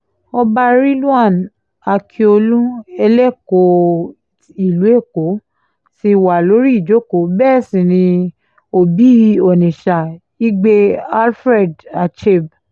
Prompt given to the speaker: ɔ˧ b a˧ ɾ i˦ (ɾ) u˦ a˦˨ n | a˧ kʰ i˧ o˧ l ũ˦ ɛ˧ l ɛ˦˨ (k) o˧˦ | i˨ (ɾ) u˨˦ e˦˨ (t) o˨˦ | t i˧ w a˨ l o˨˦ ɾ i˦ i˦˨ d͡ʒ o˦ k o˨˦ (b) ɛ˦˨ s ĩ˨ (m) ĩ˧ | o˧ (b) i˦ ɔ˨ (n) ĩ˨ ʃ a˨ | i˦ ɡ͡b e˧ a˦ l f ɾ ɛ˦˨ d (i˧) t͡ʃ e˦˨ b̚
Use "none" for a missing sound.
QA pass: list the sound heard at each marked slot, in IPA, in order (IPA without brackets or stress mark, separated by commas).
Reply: l, k, l, k, b, n, b, n, a˧